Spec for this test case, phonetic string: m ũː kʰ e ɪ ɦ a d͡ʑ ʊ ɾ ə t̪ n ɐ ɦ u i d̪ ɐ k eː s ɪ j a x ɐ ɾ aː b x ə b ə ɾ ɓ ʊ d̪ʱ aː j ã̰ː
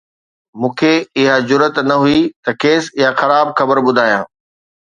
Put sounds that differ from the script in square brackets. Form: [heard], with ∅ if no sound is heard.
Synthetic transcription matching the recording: m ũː kʰ e ɪ ɦ a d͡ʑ ʊ ɾ ə t̪ n ɐ ɦ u i [t̪] ɐ k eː s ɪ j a x ɐ ɾ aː b x [ɐ] b ə ɾ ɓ ʊ d̪ʱ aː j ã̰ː